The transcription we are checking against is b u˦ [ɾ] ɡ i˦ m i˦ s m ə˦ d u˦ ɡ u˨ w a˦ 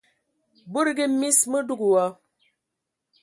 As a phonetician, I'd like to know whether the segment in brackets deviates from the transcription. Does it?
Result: no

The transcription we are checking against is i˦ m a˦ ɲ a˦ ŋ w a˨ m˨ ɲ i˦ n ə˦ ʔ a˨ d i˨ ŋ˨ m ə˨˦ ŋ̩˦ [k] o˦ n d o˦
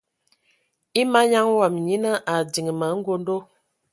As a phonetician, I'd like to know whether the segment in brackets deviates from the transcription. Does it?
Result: yes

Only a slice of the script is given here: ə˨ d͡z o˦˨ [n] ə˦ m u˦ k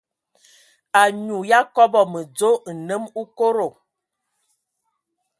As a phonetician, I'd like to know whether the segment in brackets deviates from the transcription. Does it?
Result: no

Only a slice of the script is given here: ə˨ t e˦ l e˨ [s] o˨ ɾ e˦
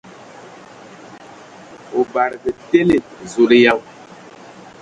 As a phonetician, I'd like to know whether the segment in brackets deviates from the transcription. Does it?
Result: yes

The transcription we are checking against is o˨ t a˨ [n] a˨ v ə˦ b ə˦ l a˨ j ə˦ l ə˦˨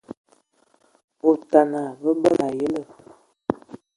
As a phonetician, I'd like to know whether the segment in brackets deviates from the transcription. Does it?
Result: no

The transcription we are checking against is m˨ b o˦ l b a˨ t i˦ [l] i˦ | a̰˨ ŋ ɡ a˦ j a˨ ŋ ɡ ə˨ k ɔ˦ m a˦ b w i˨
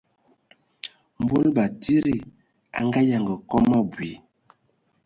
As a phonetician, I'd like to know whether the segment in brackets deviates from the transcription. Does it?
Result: yes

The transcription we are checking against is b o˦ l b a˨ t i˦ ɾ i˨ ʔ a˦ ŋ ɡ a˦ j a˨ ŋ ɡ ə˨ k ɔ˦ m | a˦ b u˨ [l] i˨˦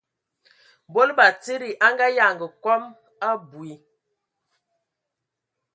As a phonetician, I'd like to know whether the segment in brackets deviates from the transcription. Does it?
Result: yes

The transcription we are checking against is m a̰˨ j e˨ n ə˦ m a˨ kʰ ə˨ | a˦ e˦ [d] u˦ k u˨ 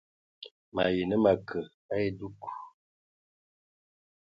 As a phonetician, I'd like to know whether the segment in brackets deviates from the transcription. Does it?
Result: no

